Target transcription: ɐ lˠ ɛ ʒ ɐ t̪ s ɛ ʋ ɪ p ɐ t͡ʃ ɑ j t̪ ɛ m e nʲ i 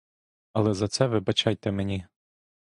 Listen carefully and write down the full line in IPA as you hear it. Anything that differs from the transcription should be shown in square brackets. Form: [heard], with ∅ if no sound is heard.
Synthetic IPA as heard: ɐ lˠ ɛ [z] ɐ t̪ s ɛ ʋ ɪ [b] ɐ t͡ʃ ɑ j t̪ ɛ m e nʲ i